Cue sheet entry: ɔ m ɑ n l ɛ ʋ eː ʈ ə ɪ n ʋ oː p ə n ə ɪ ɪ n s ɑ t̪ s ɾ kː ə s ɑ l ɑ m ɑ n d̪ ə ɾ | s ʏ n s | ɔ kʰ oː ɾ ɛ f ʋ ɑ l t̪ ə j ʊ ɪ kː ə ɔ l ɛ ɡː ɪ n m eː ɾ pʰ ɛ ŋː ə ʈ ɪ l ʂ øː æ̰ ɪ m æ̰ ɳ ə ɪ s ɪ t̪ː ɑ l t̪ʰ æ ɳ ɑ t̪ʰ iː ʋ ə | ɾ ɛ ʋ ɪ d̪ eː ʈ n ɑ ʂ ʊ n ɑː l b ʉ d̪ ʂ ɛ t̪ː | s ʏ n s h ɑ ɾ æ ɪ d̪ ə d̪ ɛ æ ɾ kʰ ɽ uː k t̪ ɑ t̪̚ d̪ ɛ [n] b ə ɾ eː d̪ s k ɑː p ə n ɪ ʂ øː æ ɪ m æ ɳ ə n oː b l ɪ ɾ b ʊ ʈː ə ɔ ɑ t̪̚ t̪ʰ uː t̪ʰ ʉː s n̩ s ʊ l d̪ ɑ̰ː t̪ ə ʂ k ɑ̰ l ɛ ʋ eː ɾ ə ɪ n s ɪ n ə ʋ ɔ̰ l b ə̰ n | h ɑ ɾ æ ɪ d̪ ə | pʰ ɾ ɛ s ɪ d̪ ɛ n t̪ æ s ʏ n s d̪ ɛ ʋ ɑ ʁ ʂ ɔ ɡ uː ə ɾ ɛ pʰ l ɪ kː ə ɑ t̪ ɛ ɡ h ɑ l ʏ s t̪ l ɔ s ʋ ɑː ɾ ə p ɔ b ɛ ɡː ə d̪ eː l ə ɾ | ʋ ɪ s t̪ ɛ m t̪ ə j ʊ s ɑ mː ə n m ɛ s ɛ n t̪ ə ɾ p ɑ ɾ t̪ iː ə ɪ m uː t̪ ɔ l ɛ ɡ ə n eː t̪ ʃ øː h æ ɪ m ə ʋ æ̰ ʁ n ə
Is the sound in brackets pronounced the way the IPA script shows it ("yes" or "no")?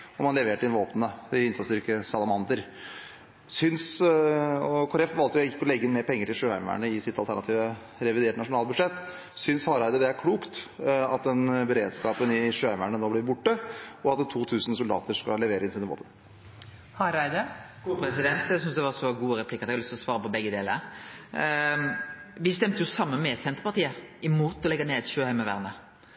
yes